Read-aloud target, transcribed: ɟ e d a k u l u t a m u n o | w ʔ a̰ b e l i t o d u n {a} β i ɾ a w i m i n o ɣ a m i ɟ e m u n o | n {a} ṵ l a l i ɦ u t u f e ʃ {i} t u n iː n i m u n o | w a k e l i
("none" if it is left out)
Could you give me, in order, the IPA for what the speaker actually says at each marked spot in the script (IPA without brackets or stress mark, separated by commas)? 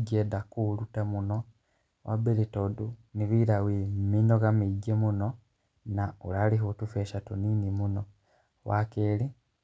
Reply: i, a, a